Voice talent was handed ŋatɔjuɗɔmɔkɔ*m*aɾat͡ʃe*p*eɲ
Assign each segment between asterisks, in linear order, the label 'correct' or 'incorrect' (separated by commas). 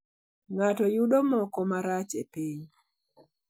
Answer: correct, correct